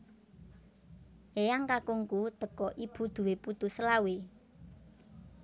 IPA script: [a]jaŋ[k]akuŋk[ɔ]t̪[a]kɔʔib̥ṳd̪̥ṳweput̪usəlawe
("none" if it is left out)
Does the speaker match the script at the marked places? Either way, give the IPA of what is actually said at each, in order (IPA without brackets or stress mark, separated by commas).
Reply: e, k, u, ə